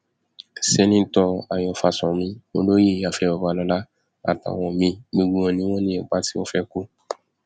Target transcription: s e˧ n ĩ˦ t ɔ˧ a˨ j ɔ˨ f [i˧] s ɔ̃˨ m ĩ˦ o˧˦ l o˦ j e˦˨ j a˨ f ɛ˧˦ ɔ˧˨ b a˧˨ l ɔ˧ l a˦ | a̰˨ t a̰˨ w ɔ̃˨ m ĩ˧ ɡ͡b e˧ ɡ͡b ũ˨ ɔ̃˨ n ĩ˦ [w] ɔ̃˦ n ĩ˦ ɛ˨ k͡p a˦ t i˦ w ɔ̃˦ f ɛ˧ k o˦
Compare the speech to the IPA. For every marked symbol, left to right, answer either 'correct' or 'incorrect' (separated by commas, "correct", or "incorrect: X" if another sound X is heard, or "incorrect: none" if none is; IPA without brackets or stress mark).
incorrect: a˧, correct